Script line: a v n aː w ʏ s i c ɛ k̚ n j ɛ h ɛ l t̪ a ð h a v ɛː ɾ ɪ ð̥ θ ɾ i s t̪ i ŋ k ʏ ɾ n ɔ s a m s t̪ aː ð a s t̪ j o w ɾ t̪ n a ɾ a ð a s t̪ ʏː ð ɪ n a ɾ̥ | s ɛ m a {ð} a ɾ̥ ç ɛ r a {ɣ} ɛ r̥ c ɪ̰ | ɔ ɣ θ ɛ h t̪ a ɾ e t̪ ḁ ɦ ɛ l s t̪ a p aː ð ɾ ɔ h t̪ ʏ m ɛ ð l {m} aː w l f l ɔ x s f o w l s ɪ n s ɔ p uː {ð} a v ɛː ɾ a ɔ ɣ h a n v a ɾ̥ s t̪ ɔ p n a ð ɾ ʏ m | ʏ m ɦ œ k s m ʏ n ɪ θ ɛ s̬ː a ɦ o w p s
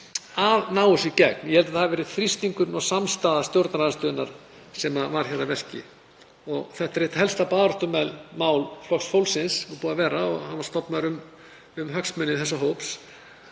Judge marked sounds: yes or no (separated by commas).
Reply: no, no, yes, yes